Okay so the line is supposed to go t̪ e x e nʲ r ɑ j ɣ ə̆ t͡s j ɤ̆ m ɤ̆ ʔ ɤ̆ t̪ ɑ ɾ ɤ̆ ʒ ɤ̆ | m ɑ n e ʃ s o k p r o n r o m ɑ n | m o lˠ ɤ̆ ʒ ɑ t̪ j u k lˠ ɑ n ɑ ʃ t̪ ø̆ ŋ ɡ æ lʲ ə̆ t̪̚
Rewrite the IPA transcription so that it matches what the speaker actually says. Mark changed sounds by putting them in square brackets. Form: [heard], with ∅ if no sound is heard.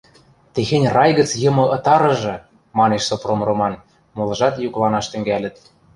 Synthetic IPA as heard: t̪ e x e nʲ r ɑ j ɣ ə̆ t͡s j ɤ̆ m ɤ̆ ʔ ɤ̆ t̪ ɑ ɾ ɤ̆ ʒ ɤ̆ | m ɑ n e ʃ s o [∅] p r o [m] r o m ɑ n | m o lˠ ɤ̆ ʒ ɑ t̪ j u k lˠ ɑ n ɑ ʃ t̪ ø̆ ŋ ɡ æ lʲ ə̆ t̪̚